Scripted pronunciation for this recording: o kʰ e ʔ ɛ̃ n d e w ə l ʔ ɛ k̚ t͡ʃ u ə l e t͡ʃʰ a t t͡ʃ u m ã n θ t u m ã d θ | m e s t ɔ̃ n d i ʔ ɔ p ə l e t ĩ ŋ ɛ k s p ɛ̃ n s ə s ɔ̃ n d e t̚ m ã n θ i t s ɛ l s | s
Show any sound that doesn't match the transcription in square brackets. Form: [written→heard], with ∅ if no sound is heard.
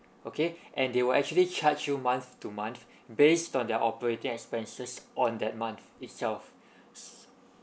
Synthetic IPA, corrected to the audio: o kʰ e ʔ ɛ̃ n d e w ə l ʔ ɛ k̚ t͡ʃ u ə l [e→i] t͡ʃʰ a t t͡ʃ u m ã n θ t u m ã [d→n] θ | [m→b] e s t ɔ̃ n d [i→ɛ] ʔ ɔ p ə [l→ɹ] e t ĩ ŋ ɛ k s p ɛ̃ n s ə s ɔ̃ n d [e→ɛ] t̚ m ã n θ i t s ɛ l [s→f] | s